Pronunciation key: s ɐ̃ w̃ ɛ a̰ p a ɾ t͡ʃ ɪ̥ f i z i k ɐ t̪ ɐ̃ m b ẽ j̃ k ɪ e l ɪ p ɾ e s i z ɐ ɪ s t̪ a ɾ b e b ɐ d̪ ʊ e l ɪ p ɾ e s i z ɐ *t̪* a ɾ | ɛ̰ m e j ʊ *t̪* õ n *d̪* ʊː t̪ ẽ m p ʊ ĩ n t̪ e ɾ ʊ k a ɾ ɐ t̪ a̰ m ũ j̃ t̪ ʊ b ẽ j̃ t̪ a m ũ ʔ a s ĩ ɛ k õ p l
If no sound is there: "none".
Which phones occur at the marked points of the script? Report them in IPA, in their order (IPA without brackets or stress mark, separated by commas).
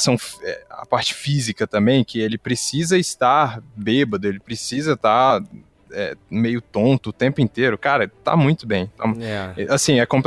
t̪, t̪, t̪